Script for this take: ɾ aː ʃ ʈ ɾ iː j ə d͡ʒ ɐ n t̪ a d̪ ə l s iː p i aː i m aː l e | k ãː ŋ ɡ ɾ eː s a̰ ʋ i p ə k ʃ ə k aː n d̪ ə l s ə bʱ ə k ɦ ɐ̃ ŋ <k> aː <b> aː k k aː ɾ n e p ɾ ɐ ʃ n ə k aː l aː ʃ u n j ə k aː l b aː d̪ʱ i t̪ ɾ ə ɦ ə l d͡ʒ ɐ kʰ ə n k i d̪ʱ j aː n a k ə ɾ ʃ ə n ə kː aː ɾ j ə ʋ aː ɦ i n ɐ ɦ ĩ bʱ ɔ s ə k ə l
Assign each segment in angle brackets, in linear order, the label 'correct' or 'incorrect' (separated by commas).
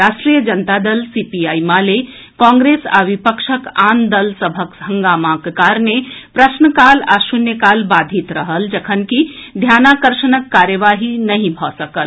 incorrect, incorrect